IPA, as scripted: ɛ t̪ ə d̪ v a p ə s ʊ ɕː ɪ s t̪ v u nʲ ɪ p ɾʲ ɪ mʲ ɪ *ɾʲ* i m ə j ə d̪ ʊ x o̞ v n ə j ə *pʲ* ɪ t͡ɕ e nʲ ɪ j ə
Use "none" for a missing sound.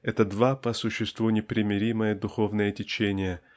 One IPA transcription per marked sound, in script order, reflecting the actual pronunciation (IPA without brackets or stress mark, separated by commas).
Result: ɾʲ, tʲ